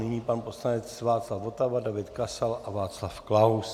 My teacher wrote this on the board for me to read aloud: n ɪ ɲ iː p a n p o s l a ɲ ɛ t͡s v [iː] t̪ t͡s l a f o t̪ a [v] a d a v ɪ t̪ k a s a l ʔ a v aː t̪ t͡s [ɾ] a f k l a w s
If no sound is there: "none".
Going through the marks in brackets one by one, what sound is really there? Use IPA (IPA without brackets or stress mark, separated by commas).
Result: aː, v, l